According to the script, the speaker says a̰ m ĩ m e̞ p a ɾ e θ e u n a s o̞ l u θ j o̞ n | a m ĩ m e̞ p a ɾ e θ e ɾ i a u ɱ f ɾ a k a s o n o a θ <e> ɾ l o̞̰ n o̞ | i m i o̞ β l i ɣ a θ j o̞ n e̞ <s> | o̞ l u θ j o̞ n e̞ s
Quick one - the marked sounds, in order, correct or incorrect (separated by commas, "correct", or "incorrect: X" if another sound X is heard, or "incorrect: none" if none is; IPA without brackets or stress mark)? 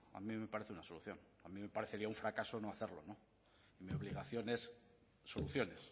correct, incorrect: sː